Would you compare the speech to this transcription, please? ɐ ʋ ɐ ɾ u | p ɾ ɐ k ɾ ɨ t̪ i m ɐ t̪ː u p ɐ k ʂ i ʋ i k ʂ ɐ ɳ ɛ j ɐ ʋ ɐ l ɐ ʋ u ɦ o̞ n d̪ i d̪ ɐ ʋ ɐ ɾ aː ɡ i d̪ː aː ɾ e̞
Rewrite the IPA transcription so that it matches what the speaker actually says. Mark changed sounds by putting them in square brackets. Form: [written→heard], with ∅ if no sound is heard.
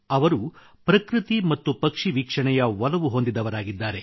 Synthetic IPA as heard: ɐ ʋ ɐ ɾ u | p ɾ ɐ k ɾ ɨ t̪ i m ɐ t̪ː u p ɐ k ʂ i ʋ i k ʂ ɐ ɳ ɛ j ɐ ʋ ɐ l ɐ ʋ u ɦ o̞ n d̪ i d̪ ɐ ʋ ɐ ɾ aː ɡ i d̪ː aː ɾ e̞